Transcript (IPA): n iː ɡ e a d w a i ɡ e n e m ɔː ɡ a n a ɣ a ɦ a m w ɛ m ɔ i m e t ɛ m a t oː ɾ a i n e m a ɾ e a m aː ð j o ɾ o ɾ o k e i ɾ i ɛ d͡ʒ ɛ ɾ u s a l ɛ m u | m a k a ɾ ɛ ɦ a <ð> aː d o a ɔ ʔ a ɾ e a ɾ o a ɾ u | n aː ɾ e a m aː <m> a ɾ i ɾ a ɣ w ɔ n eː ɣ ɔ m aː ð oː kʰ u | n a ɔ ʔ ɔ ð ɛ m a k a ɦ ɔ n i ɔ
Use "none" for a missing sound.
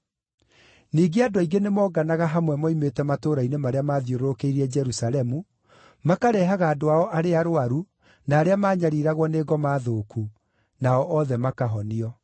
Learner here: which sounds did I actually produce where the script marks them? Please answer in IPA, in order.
ɣ, ɲ

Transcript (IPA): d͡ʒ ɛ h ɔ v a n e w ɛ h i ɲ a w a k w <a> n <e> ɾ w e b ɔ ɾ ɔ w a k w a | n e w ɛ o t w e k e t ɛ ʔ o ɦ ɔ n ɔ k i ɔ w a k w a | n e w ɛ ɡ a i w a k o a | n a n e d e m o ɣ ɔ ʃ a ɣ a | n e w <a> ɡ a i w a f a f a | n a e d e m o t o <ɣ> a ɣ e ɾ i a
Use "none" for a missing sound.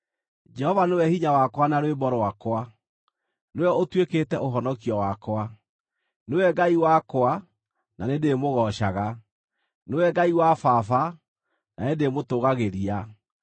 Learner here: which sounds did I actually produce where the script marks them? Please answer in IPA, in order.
a, a, ɛ, ɣ

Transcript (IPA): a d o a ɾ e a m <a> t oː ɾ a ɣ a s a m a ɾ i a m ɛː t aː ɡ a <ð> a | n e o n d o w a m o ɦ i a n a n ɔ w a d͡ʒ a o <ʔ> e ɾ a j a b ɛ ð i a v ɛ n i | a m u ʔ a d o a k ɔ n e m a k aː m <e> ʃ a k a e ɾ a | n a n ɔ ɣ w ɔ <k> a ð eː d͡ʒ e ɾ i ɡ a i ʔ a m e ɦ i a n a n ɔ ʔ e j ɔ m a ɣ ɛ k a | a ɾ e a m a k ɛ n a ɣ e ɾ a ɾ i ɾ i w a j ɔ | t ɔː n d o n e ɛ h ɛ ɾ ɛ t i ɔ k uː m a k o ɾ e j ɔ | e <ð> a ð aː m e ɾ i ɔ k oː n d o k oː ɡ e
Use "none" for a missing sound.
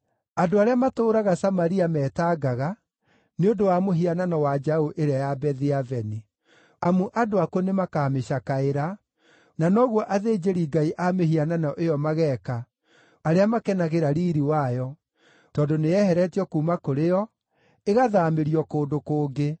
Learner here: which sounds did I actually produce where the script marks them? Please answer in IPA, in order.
a, ɣ, ʔ, e, ʔ, ɣ

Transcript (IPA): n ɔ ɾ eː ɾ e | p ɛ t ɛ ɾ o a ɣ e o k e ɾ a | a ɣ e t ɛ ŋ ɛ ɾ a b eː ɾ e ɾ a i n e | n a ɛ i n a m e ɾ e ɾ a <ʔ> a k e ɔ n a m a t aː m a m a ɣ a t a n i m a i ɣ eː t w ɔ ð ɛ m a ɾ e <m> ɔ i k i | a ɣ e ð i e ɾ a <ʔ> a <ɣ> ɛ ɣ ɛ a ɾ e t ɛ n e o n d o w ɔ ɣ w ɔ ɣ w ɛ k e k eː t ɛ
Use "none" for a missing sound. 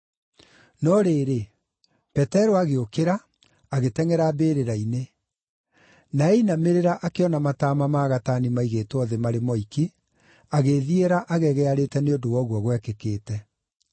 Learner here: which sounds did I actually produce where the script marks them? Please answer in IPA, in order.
ʔ, m, ʔ, ɣ

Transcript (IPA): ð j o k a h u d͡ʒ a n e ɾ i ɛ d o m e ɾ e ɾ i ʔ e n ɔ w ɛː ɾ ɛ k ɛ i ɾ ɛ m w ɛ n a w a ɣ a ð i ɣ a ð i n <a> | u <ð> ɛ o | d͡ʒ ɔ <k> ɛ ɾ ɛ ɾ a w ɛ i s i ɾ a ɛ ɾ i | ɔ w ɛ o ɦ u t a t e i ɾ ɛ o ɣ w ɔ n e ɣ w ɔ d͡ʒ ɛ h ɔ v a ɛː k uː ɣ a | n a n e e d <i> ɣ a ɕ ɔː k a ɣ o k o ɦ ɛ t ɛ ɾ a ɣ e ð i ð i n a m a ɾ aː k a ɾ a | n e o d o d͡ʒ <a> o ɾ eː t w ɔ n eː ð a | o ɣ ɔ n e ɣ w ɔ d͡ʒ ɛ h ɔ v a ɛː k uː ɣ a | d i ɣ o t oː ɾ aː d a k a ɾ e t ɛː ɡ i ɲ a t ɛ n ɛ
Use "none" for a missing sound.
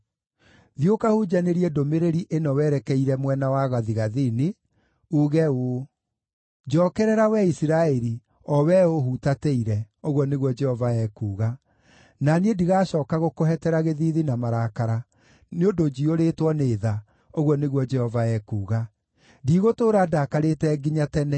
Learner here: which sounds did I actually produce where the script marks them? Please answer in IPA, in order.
e, ɣ, k, i, i

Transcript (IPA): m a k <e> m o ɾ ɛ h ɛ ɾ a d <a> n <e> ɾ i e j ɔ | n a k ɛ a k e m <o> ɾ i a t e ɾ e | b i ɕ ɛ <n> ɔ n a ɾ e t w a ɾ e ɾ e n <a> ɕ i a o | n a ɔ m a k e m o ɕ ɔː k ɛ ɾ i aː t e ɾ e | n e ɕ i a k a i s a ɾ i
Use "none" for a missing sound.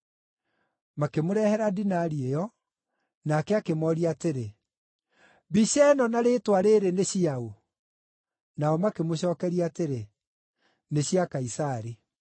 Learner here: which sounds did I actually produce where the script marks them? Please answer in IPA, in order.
e, i, a, ɔ, n, e

